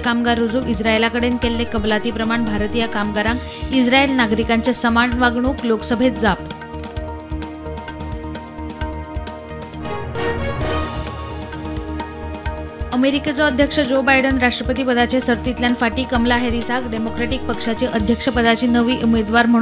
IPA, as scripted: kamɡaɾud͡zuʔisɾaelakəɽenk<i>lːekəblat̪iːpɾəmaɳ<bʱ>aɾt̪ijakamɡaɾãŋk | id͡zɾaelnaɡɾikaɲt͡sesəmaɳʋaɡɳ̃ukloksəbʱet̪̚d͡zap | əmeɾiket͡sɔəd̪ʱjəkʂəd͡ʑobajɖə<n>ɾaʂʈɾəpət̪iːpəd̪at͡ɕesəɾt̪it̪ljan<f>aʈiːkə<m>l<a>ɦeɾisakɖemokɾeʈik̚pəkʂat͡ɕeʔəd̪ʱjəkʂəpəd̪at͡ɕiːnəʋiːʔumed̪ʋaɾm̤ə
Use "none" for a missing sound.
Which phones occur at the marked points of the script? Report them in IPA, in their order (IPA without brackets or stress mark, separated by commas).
e, bʱ, n, f, m, a